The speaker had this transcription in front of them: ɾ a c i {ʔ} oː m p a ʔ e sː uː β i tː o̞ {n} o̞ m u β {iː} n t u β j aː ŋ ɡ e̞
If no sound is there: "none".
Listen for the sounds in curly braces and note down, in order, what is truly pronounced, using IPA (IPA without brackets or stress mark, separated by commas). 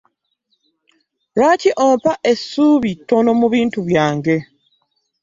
ʔ, n, iː